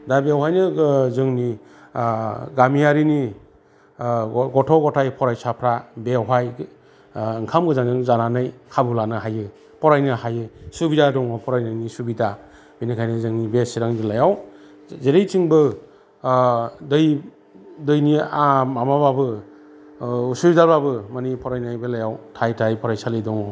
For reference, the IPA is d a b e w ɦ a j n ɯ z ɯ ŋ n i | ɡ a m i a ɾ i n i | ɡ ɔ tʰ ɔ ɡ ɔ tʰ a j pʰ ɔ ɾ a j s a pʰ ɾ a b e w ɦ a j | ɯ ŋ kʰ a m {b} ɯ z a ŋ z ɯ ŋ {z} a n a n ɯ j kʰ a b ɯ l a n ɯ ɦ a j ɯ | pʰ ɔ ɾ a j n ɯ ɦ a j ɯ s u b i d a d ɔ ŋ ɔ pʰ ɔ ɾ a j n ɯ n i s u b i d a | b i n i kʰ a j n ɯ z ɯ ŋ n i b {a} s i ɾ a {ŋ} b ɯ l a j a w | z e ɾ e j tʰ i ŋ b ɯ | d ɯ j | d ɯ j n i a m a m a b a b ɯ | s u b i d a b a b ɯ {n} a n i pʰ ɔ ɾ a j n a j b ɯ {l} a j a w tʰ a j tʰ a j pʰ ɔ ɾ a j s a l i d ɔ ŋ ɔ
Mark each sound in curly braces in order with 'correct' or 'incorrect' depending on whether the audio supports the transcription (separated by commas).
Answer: incorrect, correct, incorrect, correct, incorrect, correct